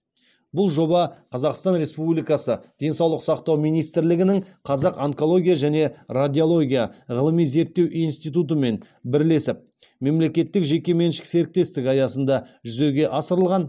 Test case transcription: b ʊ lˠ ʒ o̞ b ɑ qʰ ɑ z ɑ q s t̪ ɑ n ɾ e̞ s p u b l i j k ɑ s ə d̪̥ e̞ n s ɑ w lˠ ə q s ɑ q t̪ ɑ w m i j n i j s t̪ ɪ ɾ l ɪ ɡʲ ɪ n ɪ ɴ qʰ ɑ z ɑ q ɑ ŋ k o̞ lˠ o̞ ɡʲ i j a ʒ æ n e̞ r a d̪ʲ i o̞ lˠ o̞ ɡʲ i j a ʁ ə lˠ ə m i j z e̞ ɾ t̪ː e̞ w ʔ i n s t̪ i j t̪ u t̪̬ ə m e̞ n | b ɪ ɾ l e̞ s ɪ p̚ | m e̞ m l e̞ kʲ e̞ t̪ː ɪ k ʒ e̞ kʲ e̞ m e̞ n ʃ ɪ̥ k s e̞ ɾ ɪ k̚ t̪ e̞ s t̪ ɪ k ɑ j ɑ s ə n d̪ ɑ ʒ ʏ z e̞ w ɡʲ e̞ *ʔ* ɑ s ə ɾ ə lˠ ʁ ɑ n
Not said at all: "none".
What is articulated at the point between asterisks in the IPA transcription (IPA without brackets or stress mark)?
ʔ